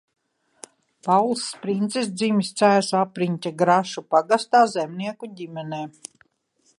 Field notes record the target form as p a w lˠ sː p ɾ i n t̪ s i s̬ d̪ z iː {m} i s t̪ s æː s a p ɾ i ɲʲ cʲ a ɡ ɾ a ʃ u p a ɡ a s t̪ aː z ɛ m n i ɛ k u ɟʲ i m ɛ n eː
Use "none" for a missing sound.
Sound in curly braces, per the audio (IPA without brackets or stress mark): m